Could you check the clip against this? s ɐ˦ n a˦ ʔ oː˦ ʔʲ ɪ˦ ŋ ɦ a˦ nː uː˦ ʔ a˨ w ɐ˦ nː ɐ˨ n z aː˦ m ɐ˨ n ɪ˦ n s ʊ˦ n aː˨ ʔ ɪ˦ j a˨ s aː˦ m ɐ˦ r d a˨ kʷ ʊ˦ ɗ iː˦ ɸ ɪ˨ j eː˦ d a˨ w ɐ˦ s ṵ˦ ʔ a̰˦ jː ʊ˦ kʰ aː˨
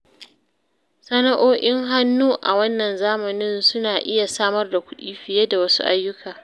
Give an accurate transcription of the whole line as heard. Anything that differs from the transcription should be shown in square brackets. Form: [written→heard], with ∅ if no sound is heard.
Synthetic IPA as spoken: s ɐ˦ n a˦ ʔ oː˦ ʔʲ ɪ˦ ŋ ɦ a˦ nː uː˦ ʔ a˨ w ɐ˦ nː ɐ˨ n z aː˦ m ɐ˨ n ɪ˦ n s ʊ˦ n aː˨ ʔ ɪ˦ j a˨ s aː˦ m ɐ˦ r d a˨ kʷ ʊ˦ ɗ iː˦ ɸ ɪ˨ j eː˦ d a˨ w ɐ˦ s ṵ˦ ʔ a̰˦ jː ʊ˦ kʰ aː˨